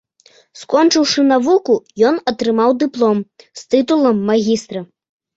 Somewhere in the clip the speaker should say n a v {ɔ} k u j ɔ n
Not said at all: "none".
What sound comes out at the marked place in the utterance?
u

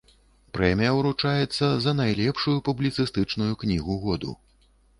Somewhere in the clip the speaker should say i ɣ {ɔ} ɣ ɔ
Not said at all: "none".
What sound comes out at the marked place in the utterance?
u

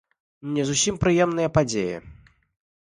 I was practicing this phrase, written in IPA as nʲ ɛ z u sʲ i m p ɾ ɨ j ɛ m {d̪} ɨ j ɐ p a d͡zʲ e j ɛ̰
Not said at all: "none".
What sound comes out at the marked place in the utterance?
n̪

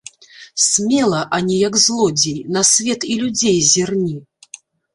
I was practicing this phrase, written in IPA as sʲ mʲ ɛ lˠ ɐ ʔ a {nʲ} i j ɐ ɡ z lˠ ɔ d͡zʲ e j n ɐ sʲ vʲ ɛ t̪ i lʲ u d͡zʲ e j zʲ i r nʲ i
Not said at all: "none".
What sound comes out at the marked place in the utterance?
nʲ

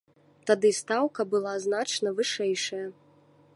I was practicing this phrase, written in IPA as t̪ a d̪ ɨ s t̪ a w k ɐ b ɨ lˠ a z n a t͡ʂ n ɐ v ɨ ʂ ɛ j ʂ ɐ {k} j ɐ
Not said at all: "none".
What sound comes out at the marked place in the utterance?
none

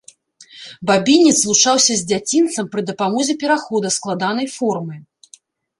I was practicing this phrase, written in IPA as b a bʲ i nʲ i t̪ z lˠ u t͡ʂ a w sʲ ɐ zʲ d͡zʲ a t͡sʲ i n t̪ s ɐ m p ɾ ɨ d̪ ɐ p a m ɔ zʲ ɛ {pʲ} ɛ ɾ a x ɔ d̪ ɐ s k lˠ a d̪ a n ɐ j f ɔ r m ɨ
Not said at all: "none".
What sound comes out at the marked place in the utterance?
pʲ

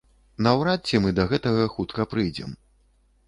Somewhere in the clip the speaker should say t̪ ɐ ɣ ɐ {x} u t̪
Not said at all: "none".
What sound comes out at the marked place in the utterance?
x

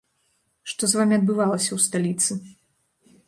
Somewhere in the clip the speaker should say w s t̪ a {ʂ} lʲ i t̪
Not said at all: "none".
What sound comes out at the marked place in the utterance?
none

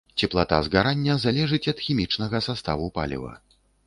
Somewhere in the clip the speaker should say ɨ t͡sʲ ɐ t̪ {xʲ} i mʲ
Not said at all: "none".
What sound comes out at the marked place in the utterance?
xʲ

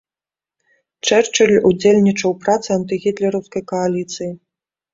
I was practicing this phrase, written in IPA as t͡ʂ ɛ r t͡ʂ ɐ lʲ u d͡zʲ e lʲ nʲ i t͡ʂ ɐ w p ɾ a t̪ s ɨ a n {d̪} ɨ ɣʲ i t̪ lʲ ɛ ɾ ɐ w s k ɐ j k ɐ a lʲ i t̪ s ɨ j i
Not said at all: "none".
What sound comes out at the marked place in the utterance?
t̪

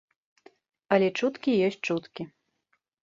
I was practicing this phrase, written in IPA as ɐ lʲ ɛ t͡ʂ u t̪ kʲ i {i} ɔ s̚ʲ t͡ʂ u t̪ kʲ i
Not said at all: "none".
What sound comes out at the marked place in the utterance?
j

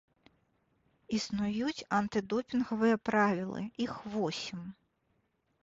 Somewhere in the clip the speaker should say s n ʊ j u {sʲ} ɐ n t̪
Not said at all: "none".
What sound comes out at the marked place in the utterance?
tʲ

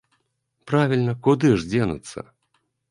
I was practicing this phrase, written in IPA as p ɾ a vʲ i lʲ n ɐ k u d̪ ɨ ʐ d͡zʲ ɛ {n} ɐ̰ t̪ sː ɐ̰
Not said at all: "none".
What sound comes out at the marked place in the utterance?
n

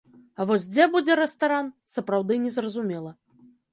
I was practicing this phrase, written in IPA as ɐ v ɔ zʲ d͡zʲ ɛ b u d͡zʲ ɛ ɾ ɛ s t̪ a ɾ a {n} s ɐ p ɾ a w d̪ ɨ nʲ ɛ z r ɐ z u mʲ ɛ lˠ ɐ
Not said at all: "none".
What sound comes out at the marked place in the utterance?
n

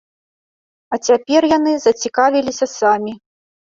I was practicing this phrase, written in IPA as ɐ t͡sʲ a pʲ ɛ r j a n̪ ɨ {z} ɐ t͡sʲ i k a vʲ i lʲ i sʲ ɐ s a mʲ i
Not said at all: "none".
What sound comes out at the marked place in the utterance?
z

